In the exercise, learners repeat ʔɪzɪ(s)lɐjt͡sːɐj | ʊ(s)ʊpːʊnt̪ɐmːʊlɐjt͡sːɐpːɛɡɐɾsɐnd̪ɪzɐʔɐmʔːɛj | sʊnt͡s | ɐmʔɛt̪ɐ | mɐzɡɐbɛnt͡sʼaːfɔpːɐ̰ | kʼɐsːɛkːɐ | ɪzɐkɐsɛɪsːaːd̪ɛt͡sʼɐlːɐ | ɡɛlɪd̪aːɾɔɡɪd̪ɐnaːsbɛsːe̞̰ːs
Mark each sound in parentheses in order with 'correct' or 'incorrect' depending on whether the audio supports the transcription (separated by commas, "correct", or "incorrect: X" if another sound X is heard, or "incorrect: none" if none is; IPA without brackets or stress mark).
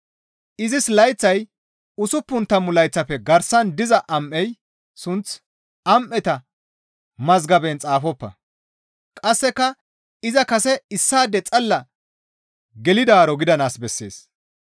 correct, correct